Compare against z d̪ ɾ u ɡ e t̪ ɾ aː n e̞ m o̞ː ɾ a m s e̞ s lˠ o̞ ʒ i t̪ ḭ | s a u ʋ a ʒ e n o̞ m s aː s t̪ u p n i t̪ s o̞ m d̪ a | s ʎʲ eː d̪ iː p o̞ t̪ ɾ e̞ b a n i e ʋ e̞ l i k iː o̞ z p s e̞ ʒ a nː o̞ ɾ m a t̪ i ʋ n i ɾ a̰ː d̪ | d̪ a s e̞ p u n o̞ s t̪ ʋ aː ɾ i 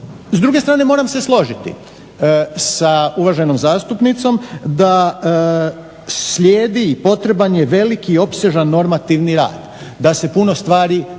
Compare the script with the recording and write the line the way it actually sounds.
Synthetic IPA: z d̪ ɾ u ɡ e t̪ ɾ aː n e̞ m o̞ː ɾ a m s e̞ s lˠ o̞ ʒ i t̪ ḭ | s a u ʋ a ʒ e n o̞ m z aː s t̪ u p n i t̪ s o̞ m d̪ a | s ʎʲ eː d̪ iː p o̞ t̪ ɾ e̞ b a n j e ʋ e̞ l i k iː o̞ p s e̞ ʒ a nː o̞ ɾ m a t̪ i ʋ n i ɾ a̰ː d̪ | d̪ a s e̞ p u n o̞ s t̪ ʋ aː ɾ i